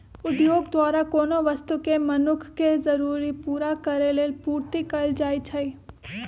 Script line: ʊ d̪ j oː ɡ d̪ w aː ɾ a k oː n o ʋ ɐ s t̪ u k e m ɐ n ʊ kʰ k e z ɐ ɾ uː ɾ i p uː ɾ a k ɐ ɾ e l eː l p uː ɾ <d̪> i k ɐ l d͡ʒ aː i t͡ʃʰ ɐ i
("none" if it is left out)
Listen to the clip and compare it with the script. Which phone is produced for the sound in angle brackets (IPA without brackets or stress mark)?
t̪